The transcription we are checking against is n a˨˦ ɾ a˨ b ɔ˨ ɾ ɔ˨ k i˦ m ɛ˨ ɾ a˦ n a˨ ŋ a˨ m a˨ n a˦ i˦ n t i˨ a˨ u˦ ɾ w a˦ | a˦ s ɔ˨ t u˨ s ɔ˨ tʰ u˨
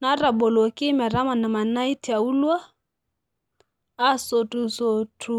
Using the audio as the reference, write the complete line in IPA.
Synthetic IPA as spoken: n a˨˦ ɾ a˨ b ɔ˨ l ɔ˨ k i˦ m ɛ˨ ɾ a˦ m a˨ n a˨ m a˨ n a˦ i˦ t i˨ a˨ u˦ l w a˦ | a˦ s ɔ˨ t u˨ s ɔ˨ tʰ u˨